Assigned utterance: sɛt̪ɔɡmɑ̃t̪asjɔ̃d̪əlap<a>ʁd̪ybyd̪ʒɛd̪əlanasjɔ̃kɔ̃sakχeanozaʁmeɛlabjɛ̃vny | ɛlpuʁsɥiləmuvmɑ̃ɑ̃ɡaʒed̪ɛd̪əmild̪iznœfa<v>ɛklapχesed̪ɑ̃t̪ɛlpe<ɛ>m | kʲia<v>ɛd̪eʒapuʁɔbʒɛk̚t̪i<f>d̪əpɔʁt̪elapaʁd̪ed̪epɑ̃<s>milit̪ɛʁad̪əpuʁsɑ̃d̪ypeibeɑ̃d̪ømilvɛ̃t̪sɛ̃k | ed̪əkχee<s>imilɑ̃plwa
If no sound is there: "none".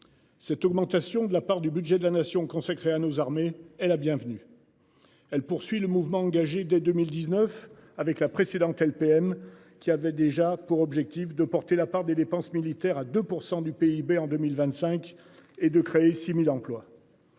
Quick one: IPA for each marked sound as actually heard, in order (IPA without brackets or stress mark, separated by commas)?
a, v, ɛ, v, f, s, s